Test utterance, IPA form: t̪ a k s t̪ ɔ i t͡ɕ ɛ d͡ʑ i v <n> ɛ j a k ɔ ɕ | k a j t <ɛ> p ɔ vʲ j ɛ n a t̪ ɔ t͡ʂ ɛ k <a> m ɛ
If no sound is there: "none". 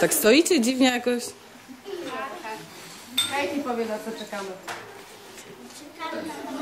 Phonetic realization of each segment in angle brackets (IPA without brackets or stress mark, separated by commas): ɲ, i, a